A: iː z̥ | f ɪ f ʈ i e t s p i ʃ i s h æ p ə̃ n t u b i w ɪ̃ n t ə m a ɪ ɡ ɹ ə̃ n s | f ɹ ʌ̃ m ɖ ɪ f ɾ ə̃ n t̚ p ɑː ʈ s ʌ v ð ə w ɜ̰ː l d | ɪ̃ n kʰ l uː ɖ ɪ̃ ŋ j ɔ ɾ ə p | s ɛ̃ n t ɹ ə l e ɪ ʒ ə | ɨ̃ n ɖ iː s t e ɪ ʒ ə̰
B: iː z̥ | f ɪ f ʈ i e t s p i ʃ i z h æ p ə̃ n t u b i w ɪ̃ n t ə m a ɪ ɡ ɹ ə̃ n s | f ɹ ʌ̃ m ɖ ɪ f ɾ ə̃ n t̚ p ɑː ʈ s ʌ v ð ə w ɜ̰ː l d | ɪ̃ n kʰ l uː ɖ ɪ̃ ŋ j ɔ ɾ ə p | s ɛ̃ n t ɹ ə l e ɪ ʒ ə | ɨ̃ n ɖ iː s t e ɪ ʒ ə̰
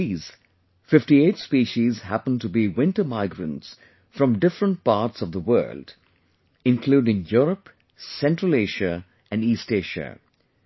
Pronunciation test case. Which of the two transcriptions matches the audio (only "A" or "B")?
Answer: B